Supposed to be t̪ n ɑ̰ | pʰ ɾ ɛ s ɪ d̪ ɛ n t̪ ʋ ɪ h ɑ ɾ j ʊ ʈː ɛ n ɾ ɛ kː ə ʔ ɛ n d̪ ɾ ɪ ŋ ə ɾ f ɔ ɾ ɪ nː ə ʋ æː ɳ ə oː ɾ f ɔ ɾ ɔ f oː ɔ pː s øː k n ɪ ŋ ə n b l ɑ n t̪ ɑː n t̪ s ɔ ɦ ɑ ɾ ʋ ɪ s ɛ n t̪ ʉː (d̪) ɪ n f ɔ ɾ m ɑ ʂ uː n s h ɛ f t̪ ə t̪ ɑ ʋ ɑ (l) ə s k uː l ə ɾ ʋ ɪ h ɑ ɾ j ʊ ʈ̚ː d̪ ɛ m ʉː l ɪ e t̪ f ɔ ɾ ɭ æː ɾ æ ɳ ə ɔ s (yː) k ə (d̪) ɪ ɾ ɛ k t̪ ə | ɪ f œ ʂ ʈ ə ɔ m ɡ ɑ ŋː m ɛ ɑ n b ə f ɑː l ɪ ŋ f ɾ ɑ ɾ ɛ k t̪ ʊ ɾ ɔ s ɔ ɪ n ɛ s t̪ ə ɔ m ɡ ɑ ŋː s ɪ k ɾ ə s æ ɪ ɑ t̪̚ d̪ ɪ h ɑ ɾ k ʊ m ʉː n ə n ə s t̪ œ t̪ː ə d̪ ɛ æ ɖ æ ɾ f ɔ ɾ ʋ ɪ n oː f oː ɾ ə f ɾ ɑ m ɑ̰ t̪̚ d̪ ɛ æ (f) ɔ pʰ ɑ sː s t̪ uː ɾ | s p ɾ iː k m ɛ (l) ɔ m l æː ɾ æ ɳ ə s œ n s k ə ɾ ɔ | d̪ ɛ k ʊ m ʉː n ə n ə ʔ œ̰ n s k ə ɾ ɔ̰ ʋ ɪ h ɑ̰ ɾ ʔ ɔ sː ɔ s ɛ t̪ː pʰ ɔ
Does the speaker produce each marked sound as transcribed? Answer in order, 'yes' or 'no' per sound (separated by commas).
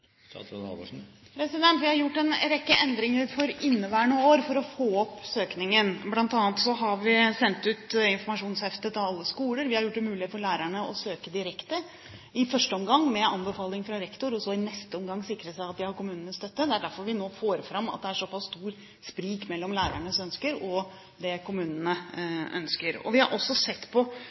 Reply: no, no, no, yes, no, no